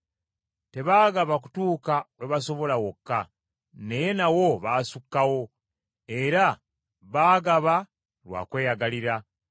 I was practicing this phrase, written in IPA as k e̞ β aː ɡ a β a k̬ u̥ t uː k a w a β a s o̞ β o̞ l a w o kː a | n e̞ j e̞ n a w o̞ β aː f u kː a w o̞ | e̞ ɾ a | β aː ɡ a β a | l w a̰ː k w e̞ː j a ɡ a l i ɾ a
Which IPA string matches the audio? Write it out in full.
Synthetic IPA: t e̞ β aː ɡ a β a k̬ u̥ t uː k a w e β a s o̞ β o̞ l a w o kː a | n e̞ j e̞ n a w o̞ β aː s u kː a w o̞ | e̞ ɾ a | β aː ɡ a β a | l w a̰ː k w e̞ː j a ɡ a l i ɾ a